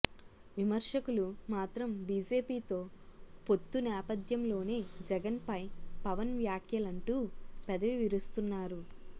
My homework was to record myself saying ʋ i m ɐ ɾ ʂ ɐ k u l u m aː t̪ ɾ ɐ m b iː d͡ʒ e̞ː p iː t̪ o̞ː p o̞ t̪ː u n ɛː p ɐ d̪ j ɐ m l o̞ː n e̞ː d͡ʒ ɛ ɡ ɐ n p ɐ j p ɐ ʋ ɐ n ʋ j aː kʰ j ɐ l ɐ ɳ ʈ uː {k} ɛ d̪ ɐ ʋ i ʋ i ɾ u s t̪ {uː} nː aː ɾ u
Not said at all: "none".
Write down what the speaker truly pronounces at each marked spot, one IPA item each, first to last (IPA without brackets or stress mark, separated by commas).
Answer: p, u